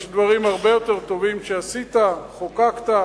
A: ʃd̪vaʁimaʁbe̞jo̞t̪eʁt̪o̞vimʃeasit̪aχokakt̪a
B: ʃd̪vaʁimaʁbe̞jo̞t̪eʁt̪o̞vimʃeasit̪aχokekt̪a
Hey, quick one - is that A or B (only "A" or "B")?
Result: A